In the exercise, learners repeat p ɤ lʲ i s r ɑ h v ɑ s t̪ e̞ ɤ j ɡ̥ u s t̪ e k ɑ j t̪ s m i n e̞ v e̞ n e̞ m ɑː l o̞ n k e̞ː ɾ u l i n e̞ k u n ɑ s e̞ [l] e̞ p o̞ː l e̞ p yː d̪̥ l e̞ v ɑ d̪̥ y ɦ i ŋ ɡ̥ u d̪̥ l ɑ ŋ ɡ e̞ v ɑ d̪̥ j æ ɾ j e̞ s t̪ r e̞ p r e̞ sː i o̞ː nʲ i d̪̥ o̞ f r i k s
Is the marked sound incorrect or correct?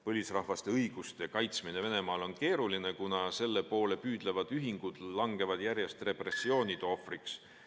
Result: incorrect